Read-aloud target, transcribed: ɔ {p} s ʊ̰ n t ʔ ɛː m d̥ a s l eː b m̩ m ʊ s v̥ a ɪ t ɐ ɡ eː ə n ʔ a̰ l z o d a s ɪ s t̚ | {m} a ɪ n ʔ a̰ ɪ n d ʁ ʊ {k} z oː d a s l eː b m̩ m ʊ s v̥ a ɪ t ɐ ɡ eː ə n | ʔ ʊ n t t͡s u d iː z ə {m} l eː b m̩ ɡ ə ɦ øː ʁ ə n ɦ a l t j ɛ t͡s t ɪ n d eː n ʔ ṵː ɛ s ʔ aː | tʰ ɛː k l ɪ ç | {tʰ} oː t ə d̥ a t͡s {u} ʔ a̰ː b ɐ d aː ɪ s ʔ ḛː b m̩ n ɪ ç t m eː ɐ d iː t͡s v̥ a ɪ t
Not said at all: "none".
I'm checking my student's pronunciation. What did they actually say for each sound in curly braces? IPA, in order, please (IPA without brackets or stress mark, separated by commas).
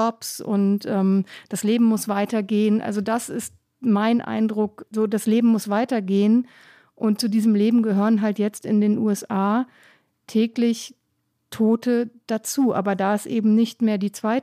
p, m, k, m, tʰ, uː